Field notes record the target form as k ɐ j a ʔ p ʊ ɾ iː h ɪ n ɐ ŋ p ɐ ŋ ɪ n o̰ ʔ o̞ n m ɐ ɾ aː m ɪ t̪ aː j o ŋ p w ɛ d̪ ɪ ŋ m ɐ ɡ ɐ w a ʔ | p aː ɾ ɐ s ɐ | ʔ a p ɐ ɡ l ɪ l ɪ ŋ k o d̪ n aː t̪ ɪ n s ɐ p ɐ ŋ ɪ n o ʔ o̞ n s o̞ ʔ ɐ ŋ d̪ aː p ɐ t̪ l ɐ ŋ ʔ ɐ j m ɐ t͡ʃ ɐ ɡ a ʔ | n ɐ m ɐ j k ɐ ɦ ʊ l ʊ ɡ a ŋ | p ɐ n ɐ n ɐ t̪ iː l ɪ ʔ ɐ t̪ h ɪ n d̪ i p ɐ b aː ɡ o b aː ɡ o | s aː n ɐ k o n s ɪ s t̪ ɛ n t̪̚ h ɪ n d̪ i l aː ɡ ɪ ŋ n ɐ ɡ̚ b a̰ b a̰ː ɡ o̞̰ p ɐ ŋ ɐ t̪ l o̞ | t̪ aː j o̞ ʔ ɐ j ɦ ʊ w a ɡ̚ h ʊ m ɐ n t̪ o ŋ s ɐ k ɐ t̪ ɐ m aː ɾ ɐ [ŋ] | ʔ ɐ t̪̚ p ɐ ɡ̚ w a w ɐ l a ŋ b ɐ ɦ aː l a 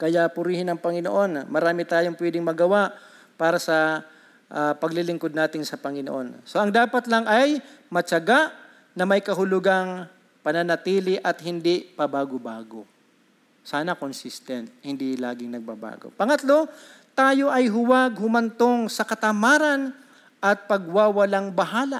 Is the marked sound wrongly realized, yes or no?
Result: yes